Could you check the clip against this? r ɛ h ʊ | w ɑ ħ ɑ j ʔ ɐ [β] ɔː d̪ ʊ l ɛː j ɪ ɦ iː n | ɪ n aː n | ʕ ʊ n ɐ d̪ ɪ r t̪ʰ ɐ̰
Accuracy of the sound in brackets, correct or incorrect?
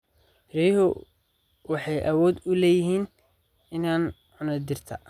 incorrect